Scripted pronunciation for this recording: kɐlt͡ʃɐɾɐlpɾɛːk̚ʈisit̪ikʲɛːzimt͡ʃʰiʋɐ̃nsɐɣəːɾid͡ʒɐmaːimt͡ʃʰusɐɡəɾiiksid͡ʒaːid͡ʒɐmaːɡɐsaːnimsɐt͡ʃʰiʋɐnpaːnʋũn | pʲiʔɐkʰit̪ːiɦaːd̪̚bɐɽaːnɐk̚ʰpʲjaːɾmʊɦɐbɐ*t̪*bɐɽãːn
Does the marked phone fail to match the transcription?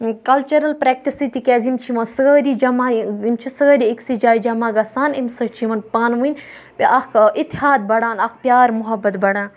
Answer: no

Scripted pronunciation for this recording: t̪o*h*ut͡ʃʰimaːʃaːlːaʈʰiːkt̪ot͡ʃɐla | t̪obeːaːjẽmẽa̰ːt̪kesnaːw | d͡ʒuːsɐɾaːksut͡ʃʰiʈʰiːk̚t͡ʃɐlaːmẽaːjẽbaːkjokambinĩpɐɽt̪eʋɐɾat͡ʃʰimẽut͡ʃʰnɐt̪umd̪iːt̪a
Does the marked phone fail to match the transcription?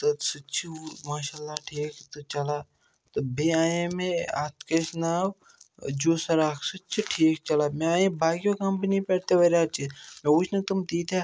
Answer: yes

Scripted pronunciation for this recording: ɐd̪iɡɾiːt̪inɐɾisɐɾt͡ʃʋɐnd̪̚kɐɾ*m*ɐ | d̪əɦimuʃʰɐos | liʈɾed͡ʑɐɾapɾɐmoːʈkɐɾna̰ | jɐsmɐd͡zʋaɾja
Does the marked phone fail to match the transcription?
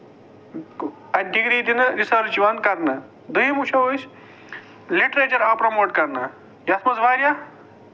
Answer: yes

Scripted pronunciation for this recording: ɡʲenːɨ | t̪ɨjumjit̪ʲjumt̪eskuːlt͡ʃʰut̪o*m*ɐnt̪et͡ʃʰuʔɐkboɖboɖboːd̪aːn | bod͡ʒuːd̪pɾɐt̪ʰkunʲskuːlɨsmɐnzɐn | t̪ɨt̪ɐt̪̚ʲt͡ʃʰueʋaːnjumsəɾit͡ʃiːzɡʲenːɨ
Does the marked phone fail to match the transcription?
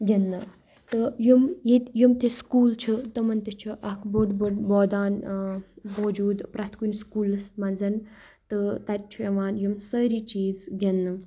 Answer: no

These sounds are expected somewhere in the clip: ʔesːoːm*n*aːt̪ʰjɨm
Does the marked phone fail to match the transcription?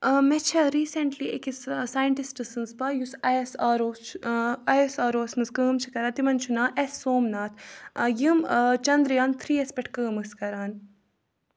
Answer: no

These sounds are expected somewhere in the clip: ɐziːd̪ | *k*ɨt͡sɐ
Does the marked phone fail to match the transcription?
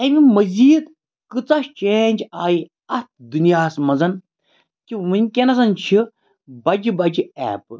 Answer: no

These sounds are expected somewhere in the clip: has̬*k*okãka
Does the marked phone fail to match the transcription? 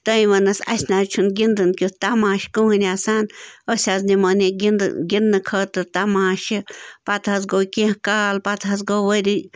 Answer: yes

